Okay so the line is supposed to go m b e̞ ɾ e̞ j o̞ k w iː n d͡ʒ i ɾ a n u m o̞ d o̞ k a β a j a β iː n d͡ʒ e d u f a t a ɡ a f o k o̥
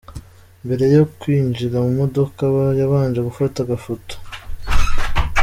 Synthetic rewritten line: m b e̞ ɾ e̞ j o̞ k w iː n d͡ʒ i ɾ a m u m o̞ d o̞ k a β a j a β aː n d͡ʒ e ɡ u f a t a ɡ a f o t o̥